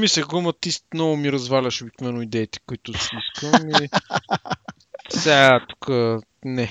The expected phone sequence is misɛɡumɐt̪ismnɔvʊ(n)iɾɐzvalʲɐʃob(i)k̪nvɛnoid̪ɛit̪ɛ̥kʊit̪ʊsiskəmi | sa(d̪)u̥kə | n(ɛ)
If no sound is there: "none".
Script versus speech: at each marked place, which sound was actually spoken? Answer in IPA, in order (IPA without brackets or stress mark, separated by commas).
m, i, t̪, ɛ